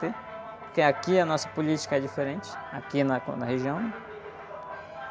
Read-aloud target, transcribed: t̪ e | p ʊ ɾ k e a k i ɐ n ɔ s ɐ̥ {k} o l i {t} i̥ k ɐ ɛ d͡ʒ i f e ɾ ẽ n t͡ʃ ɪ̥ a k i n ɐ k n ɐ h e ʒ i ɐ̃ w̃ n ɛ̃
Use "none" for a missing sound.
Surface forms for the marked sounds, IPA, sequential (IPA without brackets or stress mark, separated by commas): p, t͡ʃ